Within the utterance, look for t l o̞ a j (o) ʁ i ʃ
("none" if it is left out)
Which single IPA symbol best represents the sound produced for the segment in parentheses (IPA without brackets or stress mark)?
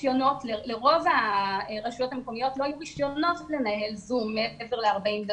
u